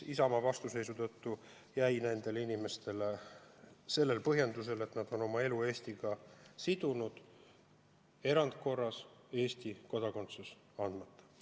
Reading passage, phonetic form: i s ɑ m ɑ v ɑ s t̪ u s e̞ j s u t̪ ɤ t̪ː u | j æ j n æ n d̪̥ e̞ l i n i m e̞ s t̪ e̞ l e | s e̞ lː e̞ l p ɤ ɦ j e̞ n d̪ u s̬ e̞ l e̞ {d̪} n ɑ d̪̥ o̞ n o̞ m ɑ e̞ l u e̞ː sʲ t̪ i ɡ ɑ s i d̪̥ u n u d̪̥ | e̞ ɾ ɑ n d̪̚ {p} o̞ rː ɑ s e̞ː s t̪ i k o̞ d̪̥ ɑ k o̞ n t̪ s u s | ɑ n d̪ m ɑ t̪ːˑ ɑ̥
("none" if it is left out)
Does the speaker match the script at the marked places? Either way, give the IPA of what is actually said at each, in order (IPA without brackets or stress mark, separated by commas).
t̪, k